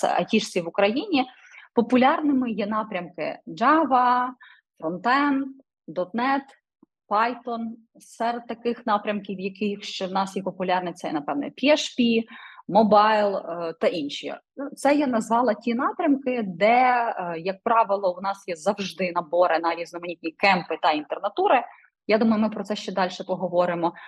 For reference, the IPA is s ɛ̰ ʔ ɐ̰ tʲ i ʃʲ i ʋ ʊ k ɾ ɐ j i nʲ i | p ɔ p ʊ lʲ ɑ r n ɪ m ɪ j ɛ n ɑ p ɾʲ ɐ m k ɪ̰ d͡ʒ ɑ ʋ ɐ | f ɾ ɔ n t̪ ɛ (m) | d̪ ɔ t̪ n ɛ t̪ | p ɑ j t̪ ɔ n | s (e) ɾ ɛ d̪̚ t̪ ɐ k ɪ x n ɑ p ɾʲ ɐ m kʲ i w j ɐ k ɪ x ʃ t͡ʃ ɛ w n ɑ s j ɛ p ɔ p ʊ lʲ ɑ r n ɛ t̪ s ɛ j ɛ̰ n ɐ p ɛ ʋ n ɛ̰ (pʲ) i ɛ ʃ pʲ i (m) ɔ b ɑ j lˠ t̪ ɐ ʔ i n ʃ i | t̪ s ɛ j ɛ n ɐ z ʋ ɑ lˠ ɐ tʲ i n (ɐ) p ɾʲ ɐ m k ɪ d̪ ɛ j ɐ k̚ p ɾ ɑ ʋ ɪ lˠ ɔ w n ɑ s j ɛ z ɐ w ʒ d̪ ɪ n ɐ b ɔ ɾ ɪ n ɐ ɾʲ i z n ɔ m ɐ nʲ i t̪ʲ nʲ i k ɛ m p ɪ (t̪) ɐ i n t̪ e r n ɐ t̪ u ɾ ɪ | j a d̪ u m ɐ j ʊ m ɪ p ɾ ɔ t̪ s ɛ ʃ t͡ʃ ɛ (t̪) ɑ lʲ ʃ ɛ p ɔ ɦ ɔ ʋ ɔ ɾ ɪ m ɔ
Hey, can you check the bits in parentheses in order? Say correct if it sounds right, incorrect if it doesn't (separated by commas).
incorrect, incorrect, correct, correct, incorrect, correct, incorrect